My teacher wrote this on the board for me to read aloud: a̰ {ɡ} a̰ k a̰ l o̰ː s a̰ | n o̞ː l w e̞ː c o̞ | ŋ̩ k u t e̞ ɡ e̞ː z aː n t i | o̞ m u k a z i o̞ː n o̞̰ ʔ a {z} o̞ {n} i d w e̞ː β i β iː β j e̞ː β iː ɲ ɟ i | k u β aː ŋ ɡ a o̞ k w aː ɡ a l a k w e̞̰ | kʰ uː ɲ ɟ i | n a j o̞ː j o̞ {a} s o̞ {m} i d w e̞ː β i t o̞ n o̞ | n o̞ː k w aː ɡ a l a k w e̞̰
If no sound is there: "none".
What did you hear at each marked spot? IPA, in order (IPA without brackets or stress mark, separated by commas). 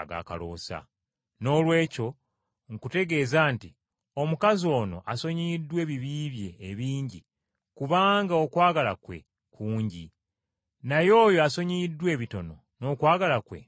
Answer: ɡ, s, ɲ, a, ɲ